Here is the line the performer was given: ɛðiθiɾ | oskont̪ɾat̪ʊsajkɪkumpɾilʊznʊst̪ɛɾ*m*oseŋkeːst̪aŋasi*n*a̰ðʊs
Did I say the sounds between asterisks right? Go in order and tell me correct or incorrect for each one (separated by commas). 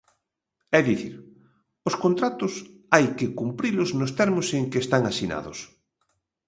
correct, correct